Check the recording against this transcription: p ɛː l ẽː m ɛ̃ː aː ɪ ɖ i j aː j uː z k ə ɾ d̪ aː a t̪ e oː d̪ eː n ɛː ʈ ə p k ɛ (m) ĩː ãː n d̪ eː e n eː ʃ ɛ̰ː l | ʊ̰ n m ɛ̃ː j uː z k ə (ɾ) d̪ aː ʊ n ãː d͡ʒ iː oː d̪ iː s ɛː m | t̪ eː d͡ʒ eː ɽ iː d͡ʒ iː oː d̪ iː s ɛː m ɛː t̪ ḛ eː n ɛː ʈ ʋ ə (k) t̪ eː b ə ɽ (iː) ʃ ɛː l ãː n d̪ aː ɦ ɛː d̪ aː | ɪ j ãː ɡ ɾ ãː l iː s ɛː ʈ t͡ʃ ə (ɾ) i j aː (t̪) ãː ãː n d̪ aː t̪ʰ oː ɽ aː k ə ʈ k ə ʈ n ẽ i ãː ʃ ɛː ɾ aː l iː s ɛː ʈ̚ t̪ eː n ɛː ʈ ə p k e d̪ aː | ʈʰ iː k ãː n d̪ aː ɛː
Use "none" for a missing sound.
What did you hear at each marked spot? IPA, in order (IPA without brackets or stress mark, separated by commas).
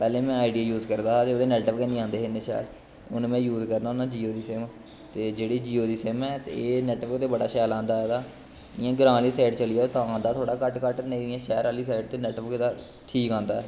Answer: n, ɾ, k, aː, l, t̪